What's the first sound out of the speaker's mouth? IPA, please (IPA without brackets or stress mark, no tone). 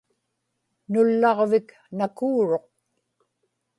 n